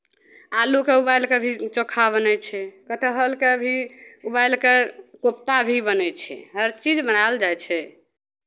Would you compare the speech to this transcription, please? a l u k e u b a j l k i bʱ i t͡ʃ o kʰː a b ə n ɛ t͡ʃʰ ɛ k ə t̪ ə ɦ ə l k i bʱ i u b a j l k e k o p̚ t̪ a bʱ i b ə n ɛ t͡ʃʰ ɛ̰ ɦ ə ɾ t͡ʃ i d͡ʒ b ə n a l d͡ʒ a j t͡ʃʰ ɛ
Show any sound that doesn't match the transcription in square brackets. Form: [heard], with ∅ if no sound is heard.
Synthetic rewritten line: a l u k e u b a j l k [e] bʱ i t͡ʃ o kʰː a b ə n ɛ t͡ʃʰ ɛ k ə t̪ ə ɦ ə l k [e] bʱ i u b a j l k e k o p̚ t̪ a bʱ i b ə n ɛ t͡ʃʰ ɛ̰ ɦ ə ɾ t͡ʃ i d͡ʒ b ə n a l d͡ʒ a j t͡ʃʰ ɛ

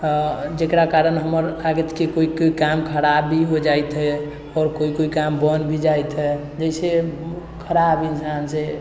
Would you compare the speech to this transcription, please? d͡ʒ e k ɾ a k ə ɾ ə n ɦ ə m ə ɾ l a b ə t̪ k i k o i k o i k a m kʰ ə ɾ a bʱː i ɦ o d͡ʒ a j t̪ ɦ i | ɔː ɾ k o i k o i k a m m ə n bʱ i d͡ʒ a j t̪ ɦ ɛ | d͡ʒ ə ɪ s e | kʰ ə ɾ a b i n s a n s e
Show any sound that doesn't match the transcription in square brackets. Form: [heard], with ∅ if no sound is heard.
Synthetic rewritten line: d͡ʒ e k ɾ a k [a] ɾ ə n ɦ ə m ə ɾ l a [ɡ] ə t̪ k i k o i k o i k a m kʰ ə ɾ a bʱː i ɦ o d͡ʒ a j t̪ ɦ [ɛ] | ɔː ɾ k o i k o i k a m [b] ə n bʱ i d͡ʒ a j t̪ ɦ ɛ | d͡ʒ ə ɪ s e | kʰ ə ɾ a b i n s a n s e

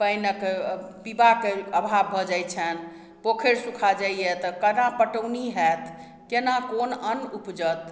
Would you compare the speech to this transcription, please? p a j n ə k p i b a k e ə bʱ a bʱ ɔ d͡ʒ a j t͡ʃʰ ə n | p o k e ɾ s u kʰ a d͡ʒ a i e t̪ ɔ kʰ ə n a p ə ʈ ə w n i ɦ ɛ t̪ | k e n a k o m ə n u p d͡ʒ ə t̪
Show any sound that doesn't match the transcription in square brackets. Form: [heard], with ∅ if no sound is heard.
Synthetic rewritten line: p [ə] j n ə k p i b a k e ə bʱ a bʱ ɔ d͡ʒ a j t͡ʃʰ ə n | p o [kʰ] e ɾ s u kʰ a d͡ʒ a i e t̪ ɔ [k] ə n a p ə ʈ ə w n i ɦ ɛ t̪ | k e n a k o [n] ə n u p d͡ʒ ə t̪

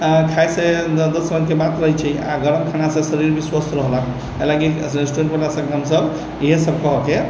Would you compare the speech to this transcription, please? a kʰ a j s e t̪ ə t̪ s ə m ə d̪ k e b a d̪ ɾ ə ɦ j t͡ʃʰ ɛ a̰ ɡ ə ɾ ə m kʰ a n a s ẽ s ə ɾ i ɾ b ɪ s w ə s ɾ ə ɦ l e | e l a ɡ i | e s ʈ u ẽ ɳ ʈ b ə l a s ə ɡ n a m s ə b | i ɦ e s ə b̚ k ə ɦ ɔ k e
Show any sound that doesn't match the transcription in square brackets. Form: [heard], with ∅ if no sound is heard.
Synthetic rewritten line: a kʰ a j s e [d̪] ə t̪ s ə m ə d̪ k e b a [t̪] ɾ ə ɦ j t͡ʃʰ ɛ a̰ ɡ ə ɾ ə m kʰ a n a s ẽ s ə ɾ i ɾ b [i] s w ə s ɾ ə ɦ l [a] | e l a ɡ i | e s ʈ u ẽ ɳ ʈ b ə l a s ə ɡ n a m s ə b | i ɦ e s ə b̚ k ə ɦ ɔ k e

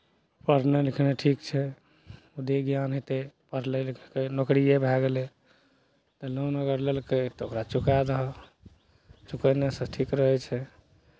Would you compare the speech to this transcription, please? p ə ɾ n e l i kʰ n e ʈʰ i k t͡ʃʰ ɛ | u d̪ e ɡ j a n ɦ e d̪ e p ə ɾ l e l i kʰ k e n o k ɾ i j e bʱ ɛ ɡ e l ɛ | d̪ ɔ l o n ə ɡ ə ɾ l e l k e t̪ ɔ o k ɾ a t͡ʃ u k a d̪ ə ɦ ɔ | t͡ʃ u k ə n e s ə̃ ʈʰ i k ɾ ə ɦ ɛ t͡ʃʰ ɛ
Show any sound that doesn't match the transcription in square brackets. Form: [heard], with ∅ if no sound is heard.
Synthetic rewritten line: p ə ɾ n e l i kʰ n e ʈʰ i k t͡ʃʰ ɛ | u d̪ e ɡ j a n ɦ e [t̪] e p ə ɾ l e l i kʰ k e n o k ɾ i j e bʱ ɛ ɡ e l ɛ | [t̪] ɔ l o n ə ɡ ə ɾ l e l k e t̪ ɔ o k ɾ a t͡ʃ u k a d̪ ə ɦ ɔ | t͡ʃ u k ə n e s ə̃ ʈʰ i k ɾ ə ɦ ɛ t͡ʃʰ ɛ

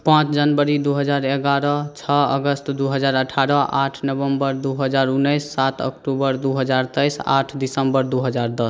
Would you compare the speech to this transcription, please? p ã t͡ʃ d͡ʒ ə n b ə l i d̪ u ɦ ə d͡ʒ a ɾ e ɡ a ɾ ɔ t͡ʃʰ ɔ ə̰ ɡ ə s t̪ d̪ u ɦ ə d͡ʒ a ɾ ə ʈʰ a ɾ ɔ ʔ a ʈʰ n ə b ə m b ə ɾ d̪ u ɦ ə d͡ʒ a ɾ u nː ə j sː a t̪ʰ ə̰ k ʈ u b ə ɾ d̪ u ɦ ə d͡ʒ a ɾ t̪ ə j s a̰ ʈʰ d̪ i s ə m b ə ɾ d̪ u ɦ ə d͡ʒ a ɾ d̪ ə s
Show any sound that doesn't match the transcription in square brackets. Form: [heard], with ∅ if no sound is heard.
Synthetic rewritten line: p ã t͡ʃ d͡ʒ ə n b ə [ɾ] i d̪ u ɦ ə d͡ʒ a ɾ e ɡ a ɾ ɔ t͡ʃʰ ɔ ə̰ ɡ ə s t̪ d̪ u ɦ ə d͡ʒ a ɾ ə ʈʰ a ɾ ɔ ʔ a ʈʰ n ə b ə m b ə ɾ d̪ u ɦ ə d͡ʒ a ɾ u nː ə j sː a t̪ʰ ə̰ k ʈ u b ə ɾ d̪ u ɦ ə d͡ʒ a ɾ t̪ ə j s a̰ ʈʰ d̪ i s ə m b ə ɾ d̪ u ɦ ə d͡ʒ a ɾ d̪ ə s

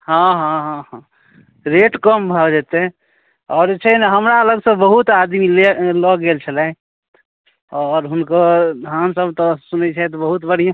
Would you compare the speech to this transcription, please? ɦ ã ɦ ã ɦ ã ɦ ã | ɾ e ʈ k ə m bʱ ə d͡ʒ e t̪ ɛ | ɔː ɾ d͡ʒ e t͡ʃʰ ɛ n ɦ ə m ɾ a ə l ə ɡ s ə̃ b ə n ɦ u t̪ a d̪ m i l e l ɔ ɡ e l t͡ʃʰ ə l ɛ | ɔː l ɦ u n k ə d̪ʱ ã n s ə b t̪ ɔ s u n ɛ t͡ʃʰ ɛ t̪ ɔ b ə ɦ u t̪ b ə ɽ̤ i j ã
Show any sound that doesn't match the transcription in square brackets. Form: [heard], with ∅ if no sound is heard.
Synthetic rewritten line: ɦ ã ɦ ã ɦ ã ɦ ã | ɾ e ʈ k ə m bʱ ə d͡ʒ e t̪ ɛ | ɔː ɾ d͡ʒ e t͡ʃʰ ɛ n ɦ ə m ɾ a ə l ə ɡ s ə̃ b ə [∅] ɦ u t̪ a d̪ m i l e l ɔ ɡ e l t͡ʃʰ ə l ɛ | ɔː [ɾ] ɦ u n k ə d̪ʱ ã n s ə b t̪ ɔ s u n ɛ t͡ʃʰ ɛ t̪ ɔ b ə ɦ u t̪ b ə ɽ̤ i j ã

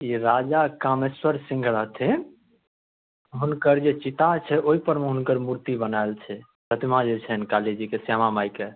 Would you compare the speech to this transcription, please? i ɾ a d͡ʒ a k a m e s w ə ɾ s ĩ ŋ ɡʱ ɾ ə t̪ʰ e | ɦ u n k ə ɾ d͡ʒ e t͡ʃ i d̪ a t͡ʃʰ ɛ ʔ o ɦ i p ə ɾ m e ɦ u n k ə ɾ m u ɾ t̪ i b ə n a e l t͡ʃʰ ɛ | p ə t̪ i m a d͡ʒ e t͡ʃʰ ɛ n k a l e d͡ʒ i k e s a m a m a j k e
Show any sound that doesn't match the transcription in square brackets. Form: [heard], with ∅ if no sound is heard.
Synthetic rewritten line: i ɾ a d͡ʒ a k a m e s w ə ɾ s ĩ ŋ ɡʱ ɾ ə t̪ʰ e | ɦ u n k ə ɾ d͡ʒ e t͡ʃ i [t̪] a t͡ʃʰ ɛ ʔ o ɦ i p ə ɾ m e ɦ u n k ə ɾ m u ɾ t̪ i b ə n a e l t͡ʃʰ ɛ | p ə t̪ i m a d͡ʒ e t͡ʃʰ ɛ n k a l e d͡ʒ i k e s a m a m a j k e

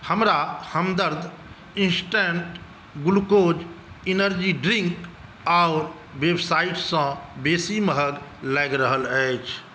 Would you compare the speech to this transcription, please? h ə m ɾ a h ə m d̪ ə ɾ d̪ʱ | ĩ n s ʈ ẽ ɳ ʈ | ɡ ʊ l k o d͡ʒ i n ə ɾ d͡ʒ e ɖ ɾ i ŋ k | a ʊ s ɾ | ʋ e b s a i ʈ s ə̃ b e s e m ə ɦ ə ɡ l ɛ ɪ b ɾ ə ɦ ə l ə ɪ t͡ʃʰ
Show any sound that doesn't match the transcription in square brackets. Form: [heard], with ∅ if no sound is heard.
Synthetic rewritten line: h ə m ɾ a h ə m d̪ ə ɾ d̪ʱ | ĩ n s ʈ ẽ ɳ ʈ | ɡ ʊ l k o d͡ʒ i n ə ɾ d͡ʒ [i] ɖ ɾ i ŋ k | a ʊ [∅] ɾ | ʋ e b s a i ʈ s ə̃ b e s [i] m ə ɦ ə ɡ l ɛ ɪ [ɡ] ɾ ə ɦ ə l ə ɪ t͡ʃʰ

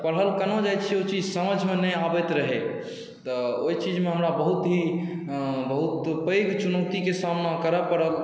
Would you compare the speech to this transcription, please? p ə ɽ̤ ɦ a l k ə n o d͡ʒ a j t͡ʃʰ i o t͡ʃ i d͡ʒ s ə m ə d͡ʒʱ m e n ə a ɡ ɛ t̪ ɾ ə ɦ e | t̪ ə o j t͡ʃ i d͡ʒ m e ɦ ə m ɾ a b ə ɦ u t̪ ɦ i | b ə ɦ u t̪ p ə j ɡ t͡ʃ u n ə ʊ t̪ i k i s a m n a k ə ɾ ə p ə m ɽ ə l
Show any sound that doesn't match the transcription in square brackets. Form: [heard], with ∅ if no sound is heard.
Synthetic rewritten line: p ə ɽ̤ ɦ [ə] l k ə n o d͡ʒ a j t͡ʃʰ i o t͡ʃ i d͡ʒ s ə m ə d͡ʒʱ m e n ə a [b] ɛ t̪ ɾ ə ɦ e | t̪ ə o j t͡ʃ i d͡ʒ m e ɦ ə m ɾ a b ə ɦ u t̪ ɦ i | b ə ɦ u t̪ p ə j ɡ t͡ʃ u n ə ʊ t̪ i k [e] s a m n a k ə ɾ ə p ə [∅] ɽ ə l

